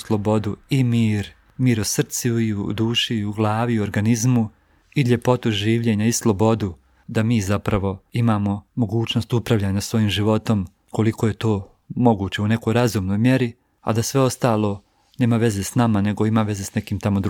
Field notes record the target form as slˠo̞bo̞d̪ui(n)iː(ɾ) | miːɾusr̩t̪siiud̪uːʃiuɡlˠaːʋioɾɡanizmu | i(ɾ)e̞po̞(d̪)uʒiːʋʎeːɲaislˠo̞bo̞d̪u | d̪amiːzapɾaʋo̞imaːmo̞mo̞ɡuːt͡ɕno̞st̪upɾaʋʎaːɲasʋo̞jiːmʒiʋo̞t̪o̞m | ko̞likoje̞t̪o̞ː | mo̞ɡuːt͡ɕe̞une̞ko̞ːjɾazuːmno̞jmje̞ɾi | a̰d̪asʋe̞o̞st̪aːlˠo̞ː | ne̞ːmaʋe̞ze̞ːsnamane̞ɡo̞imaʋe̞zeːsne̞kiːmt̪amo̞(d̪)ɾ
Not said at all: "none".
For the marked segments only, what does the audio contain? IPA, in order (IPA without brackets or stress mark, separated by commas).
m, ɾ, ʎ, t̪, d̪